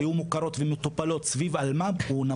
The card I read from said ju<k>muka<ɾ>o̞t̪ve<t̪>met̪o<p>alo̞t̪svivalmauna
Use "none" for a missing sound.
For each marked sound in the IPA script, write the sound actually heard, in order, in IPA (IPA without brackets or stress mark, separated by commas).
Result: none, ɾ, none, p